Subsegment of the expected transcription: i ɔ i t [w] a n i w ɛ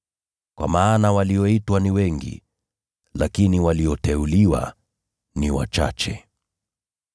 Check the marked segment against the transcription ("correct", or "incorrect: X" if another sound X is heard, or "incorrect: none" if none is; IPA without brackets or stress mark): correct